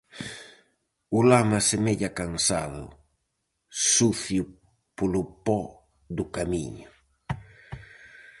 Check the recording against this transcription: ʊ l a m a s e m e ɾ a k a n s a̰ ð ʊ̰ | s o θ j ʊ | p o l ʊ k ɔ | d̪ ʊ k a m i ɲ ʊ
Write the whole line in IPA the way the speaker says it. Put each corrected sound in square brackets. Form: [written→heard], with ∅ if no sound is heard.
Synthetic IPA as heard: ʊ l a m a s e m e [ɾ→ʎ] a k a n s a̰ ð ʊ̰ | s [o→u] θ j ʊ | p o l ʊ [k→p] ɔ | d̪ ʊ k a m i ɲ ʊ